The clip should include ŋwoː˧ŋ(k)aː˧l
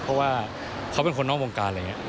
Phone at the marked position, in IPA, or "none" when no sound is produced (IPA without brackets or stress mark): k